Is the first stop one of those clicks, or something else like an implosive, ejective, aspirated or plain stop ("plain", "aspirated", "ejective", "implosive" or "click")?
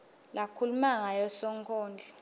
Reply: aspirated